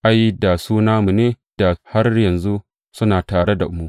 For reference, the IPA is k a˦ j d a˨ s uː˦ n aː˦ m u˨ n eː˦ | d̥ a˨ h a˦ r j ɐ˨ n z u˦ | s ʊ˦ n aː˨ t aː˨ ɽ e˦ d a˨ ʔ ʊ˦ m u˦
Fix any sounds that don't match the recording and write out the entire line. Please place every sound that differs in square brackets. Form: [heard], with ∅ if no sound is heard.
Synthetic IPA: [ʔ] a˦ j d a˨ s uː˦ n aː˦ m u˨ n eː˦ | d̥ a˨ h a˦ r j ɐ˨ n z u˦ | s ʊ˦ n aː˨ t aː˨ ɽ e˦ d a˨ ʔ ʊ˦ m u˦